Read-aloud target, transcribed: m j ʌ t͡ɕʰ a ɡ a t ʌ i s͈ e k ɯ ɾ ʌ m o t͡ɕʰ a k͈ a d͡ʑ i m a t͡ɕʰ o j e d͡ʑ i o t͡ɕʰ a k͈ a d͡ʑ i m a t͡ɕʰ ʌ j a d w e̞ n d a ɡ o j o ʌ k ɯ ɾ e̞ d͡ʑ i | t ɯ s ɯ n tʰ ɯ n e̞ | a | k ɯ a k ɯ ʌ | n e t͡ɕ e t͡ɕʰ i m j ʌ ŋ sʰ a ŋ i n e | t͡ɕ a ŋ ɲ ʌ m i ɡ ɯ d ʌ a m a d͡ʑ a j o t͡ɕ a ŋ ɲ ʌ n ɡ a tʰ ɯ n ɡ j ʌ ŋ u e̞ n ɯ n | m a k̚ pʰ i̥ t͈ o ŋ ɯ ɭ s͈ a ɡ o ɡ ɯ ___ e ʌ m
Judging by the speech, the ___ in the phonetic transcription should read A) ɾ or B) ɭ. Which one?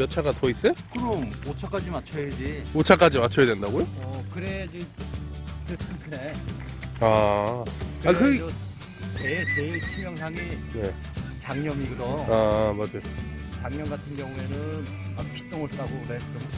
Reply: A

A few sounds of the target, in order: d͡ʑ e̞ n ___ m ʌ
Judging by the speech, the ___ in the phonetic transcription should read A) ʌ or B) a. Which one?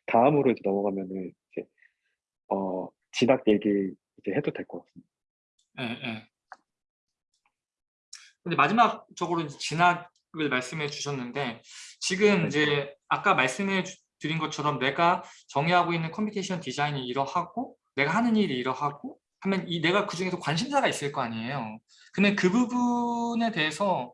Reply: A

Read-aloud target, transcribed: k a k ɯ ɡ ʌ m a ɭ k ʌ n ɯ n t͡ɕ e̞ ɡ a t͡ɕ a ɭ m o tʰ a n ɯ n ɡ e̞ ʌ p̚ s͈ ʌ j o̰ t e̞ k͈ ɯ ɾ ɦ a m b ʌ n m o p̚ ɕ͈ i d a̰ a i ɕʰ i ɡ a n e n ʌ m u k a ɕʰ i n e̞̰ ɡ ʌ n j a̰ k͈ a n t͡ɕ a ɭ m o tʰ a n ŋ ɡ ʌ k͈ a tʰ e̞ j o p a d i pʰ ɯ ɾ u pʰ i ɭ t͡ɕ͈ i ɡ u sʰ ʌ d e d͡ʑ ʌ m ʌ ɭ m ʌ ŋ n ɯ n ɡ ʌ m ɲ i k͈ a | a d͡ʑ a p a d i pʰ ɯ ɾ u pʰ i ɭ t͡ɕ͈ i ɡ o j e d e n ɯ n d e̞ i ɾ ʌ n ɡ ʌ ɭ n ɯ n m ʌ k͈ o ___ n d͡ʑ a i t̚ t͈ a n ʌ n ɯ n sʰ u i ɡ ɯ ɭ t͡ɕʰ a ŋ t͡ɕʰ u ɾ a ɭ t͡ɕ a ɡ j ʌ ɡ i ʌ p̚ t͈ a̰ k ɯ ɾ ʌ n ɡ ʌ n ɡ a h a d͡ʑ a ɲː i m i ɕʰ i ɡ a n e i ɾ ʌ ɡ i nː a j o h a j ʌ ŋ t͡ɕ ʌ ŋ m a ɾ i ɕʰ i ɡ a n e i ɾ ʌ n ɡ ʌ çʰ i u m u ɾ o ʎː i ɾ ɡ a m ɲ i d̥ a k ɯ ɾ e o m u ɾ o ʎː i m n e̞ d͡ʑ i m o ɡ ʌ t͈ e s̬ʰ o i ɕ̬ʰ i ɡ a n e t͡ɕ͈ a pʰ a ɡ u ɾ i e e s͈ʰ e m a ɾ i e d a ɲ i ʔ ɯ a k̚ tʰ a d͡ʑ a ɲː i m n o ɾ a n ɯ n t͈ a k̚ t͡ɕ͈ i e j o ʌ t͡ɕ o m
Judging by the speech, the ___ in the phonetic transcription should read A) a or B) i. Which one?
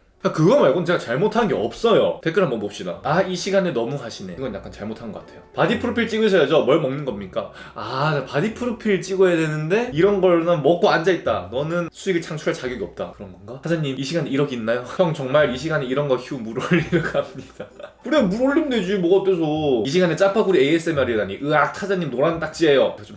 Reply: A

